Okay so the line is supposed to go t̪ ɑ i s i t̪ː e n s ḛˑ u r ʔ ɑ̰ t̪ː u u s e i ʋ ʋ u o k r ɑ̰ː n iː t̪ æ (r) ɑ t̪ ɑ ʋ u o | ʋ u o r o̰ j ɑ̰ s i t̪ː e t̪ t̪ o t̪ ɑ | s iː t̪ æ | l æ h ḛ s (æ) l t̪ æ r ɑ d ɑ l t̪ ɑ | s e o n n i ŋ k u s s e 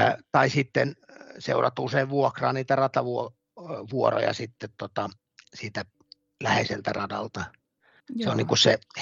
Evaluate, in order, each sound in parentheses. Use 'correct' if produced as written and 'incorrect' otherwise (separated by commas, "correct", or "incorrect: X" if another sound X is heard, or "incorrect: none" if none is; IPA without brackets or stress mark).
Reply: correct, incorrect: e